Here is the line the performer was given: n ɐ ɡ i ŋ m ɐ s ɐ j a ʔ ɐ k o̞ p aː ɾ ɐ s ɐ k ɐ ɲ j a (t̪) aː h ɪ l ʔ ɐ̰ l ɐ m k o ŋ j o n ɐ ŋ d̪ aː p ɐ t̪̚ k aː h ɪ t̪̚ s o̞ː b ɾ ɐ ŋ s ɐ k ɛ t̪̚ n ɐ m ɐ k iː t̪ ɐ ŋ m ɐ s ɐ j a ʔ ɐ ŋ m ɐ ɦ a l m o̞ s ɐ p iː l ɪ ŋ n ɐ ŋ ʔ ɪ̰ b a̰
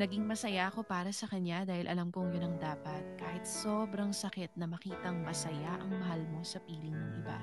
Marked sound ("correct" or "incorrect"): incorrect